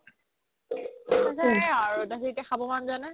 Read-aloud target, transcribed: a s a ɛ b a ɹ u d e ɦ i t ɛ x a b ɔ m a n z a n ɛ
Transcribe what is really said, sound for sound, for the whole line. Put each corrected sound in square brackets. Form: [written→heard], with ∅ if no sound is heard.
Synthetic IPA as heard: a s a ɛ [b→∅] a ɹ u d [e→a] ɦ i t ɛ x a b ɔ m a n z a n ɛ